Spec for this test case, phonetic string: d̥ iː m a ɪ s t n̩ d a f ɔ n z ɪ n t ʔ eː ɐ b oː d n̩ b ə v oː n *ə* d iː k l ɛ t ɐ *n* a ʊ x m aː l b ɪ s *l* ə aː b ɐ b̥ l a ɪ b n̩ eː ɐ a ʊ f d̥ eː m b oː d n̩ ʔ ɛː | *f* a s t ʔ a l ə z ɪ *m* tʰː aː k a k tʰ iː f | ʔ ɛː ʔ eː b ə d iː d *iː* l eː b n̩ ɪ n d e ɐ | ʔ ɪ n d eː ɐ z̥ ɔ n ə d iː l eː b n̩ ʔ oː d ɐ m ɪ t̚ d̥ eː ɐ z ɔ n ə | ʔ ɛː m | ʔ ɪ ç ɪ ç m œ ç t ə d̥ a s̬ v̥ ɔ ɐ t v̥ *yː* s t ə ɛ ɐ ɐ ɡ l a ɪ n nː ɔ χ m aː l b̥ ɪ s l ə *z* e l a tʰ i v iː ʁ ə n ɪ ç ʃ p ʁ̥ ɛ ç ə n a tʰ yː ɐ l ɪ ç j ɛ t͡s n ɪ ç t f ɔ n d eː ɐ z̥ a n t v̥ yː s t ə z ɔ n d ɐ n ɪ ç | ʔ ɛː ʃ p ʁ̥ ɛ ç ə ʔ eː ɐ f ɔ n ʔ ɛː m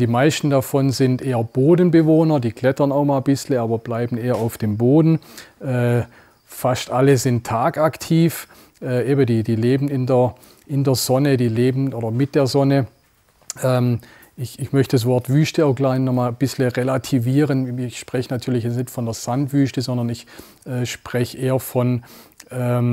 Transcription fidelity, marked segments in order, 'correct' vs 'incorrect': incorrect, correct, correct, correct, incorrect, correct, correct, incorrect

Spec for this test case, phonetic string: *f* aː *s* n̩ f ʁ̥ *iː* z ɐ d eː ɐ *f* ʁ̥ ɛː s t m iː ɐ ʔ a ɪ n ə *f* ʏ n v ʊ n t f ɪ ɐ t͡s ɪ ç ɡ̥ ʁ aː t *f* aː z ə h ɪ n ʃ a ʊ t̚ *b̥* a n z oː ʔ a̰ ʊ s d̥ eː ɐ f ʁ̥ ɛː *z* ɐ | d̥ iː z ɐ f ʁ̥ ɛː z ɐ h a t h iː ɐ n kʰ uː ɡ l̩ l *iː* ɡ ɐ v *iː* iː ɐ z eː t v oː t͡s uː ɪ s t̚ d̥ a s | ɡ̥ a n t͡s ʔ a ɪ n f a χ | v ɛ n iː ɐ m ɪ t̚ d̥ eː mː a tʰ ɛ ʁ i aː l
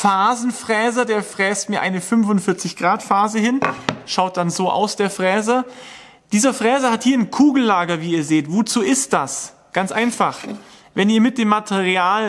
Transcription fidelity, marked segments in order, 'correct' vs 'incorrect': correct, incorrect, incorrect, correct, correct, correct, incorrect, correct, incorrect, correct

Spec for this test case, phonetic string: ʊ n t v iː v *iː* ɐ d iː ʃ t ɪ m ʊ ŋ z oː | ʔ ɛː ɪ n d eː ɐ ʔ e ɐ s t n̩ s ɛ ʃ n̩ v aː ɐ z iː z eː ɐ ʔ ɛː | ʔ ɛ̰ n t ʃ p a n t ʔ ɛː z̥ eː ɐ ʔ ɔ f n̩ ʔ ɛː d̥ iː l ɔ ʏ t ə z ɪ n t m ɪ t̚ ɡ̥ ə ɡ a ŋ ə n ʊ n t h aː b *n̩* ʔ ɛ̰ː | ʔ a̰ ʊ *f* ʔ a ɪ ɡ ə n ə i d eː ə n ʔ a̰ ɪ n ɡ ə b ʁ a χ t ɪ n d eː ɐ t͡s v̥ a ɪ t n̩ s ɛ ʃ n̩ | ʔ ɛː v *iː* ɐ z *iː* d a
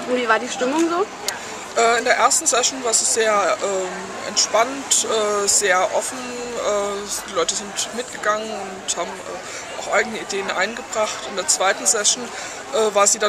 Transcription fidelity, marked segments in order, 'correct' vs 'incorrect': incorrect, incorrect, incorrect, incorrect, correct

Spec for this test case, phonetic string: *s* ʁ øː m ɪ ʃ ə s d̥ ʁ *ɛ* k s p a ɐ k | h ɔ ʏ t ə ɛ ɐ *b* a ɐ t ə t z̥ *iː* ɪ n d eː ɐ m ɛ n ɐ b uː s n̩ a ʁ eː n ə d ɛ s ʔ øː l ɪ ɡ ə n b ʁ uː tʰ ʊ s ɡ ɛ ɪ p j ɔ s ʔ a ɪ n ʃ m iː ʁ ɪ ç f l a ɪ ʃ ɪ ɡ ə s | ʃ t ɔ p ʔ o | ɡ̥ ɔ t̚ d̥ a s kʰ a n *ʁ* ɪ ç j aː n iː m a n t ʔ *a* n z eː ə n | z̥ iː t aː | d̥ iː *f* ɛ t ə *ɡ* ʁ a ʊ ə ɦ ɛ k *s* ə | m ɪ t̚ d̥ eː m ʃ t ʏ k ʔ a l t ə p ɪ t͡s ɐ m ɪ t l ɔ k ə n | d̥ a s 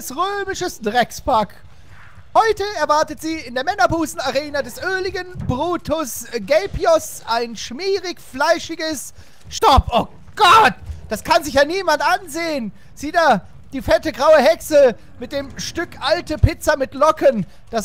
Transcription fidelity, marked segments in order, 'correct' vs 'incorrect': correct, correct, incorrect, correct, incorrect, correct, correct, correct, correct

